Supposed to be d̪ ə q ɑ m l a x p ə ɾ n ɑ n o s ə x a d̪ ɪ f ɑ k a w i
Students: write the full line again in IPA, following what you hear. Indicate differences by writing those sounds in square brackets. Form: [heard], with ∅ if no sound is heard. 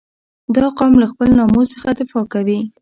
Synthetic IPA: d̪ [ɑ] q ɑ m l a x p ə [l] n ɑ [m] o s ə x a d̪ ɪ f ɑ k a w i